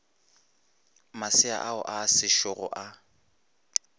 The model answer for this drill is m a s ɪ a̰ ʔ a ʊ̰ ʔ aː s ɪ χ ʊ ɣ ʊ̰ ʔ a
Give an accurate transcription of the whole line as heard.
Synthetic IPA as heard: m a s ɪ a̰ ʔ a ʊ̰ ʔ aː s ɪ ʃ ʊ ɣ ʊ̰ ʔ a